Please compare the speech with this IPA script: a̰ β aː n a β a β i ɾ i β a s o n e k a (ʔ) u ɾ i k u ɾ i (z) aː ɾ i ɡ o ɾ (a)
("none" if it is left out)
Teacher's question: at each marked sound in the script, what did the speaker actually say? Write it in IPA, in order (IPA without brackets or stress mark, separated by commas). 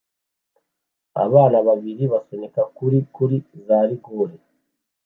k, z, e